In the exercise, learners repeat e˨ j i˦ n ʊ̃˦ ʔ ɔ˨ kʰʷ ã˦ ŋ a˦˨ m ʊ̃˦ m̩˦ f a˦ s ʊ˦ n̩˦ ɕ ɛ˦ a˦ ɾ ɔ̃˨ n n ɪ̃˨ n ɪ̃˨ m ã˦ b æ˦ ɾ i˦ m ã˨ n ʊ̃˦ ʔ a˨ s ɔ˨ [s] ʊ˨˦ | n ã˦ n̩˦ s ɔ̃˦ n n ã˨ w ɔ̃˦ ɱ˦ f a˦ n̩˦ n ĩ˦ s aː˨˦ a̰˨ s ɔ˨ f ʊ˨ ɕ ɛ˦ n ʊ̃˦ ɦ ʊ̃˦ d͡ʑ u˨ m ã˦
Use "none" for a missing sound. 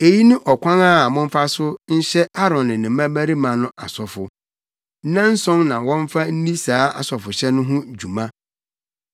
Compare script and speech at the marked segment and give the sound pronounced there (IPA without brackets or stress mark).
f